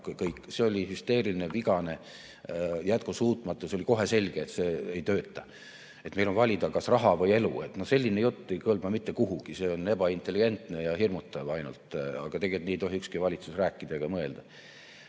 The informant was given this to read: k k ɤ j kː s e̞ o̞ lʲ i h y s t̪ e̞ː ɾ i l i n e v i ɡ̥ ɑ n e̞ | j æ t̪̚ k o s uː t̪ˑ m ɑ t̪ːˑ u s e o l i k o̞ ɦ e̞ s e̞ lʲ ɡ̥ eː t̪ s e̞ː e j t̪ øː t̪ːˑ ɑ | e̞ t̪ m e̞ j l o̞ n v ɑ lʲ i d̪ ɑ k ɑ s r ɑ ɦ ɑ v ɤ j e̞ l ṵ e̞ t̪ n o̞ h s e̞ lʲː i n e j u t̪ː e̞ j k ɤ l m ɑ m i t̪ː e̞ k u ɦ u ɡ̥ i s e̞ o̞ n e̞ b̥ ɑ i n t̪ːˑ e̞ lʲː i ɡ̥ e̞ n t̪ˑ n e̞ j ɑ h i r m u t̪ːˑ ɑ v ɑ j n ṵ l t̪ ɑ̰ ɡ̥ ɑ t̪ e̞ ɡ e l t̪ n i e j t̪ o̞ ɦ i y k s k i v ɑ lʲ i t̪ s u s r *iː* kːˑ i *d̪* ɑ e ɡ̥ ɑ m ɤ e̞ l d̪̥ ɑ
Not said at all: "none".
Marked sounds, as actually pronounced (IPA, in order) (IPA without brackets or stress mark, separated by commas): æː, d̪